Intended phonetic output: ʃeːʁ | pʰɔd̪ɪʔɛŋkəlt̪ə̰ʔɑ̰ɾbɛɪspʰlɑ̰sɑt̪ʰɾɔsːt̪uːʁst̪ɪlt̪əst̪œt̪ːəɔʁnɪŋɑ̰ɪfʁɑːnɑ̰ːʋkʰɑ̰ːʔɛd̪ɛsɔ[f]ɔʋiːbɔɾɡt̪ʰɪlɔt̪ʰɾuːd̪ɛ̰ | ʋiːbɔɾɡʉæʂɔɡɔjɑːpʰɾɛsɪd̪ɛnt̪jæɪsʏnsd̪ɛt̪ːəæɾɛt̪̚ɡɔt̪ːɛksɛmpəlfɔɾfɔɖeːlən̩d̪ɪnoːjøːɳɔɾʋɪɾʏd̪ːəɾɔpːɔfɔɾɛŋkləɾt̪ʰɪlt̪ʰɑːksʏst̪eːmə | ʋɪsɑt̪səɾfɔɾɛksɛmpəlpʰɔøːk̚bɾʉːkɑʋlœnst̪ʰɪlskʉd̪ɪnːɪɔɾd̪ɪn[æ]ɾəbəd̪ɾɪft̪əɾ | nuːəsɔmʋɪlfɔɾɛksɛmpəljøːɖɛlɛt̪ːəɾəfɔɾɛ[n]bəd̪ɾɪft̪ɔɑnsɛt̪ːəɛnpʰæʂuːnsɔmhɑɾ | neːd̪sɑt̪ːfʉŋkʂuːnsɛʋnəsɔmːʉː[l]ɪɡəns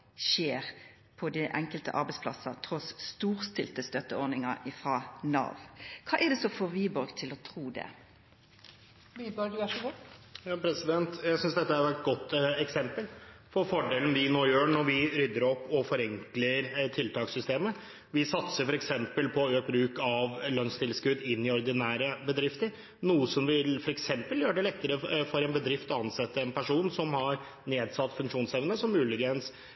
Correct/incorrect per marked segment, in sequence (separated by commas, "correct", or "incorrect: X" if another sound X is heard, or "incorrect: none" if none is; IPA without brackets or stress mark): correct, incorrect: æː, correct, correct